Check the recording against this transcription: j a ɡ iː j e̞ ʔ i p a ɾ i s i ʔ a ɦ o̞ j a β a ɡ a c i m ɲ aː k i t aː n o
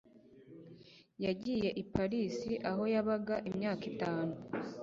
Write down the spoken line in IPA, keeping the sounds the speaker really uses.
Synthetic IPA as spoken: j a ɟ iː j e̞ ʔ i p a ɾ i s i ʔ a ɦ o̞ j a β a ɡ a ʔ i m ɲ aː k i t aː n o